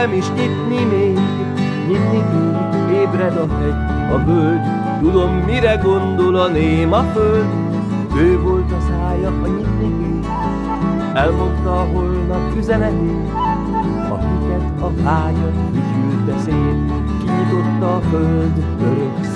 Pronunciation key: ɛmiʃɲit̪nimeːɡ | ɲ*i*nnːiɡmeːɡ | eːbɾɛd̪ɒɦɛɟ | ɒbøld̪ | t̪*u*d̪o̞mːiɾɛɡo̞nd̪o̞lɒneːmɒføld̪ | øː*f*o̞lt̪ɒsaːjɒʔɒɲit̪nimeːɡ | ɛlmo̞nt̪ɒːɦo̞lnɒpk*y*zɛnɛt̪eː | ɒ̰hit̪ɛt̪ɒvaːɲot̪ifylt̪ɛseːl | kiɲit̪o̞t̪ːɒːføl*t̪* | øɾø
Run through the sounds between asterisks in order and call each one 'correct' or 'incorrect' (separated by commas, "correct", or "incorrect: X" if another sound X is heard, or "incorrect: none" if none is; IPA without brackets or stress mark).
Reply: correct, correct, incorrect: v, correct, incorrect: d̪